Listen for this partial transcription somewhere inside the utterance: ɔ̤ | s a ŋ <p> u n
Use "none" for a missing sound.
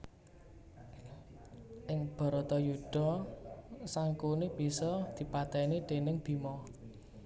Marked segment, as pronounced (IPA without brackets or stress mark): k